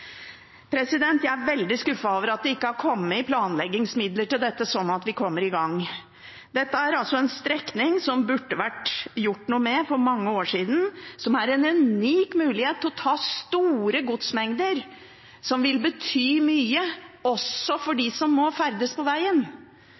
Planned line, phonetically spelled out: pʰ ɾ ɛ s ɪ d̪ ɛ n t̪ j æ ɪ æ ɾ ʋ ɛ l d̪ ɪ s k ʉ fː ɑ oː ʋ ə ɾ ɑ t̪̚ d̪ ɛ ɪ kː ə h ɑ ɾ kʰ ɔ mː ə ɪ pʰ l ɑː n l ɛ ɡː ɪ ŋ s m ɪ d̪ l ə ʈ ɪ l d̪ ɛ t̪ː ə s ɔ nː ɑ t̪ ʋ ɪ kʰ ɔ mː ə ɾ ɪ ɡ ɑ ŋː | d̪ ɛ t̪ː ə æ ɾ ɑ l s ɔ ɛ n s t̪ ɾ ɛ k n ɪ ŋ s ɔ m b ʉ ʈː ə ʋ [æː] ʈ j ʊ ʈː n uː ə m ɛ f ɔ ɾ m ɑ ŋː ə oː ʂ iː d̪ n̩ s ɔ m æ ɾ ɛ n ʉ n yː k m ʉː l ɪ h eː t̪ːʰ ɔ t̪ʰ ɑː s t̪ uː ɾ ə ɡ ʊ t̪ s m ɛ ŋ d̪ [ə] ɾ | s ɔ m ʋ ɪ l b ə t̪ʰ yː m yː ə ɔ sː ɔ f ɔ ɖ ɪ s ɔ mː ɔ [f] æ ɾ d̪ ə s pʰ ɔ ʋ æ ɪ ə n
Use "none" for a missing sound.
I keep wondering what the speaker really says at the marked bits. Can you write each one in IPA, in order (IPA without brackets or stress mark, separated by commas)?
æ, ə, f